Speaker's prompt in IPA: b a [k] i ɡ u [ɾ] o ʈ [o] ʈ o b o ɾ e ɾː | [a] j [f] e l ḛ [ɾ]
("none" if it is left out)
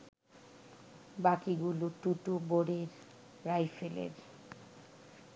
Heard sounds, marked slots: k, l, u, a, f, ɾ

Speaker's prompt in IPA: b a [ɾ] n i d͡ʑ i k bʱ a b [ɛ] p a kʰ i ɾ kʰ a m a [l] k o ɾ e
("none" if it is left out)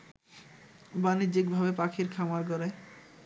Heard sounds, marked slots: none, e, ɾ

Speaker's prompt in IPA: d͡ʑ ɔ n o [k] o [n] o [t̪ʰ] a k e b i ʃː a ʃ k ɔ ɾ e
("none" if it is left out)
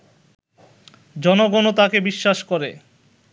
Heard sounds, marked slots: ɡ, n, t̪

